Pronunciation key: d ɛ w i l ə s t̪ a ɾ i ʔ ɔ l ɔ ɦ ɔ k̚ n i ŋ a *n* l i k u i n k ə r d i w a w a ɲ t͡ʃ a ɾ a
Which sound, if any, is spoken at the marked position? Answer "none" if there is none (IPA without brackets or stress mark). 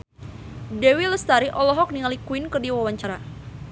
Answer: none